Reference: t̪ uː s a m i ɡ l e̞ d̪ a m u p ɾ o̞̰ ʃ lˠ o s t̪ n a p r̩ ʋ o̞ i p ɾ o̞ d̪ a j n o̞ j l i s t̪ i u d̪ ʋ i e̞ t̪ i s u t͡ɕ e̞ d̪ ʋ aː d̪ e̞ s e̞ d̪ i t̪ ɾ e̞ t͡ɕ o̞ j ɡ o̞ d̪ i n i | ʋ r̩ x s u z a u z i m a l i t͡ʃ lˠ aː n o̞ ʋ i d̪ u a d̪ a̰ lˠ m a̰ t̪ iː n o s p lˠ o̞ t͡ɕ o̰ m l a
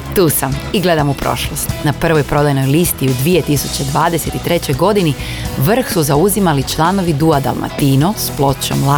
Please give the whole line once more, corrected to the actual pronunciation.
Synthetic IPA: t̪ uː s a m i ɡ l e̞ d̪ a m u p ɾ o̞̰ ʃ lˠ o s t̪ n a p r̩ ʋ o̞ j p ɾ o̞ d̪ a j n o̞ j l i s t̪ i u d̪ ʋ i e̞ t̪ i s u t͡ɕ e̞ d̪ ʋ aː d̪ e̞ s e̞ t̪ i t̪ ɾ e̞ t͡ɕ o̞ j ɡ o̞ d̪ i n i | ʋ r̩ x s u z a u z i m a l i t͡ʃ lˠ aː n o̞ ʋ i d̪ u a d̪ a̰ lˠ m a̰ t̪ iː n o s p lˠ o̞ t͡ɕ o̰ m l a